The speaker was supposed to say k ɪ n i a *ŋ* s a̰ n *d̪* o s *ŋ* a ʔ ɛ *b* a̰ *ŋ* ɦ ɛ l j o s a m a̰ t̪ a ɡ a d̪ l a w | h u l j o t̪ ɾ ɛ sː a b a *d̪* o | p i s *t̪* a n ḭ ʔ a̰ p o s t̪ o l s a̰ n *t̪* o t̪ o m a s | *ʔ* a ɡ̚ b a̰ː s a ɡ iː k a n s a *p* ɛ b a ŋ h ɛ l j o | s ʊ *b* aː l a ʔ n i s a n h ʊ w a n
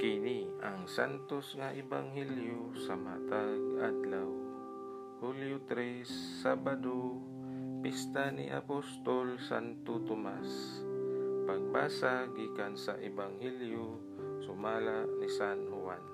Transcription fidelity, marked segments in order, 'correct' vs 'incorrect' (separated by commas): correct, incorrect, correct, correct, correct, correct, correct, correct, incorrect, incorrect, incorrect